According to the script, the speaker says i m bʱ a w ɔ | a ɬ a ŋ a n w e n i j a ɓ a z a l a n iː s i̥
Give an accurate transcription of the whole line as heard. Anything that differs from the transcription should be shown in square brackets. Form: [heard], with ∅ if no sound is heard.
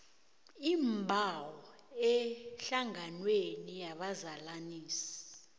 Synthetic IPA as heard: i m bʱ a w ɔ | [ɛ] ɬ a ŋ a n w e n i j a ɓ a z a l a n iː s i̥